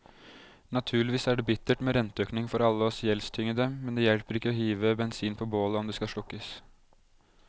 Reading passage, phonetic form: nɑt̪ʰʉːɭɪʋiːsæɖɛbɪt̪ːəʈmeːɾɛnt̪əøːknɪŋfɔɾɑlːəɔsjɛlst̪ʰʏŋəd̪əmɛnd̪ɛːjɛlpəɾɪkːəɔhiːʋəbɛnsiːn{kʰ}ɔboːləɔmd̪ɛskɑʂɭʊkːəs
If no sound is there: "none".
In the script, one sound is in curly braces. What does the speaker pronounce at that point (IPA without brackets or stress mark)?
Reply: pʰ